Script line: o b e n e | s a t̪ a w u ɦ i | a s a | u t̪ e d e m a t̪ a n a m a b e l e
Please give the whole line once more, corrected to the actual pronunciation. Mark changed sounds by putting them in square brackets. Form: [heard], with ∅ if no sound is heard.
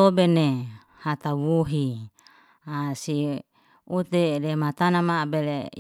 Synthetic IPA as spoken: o b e n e | [h] a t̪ a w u ɦ i | a s [i] | u t̪ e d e m a t̪ a n a m a b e l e